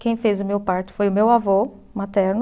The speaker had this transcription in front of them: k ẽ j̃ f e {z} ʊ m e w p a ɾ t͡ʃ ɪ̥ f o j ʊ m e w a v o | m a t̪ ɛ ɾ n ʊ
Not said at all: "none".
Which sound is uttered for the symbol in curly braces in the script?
z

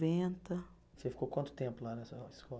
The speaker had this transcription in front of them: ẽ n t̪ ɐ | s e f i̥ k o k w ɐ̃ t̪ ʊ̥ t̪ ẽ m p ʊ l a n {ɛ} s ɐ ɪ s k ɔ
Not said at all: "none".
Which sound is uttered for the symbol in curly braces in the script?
ɛ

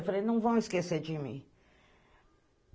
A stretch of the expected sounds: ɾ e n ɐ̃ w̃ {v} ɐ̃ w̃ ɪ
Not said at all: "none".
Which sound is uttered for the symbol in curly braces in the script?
v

